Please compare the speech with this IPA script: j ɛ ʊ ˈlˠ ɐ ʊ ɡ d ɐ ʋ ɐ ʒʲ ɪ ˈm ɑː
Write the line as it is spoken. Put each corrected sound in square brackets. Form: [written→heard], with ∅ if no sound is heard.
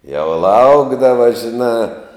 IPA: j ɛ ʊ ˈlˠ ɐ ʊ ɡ d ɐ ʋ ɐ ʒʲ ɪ [ˈm→ˈn] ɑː